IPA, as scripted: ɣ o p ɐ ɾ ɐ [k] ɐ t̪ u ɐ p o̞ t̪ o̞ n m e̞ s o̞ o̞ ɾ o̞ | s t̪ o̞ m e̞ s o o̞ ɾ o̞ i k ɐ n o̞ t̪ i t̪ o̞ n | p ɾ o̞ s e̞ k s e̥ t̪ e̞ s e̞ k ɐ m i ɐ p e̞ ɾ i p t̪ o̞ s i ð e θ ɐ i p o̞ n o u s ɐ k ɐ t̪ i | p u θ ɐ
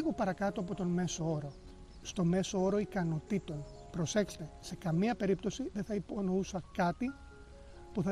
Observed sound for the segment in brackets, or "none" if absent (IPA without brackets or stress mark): k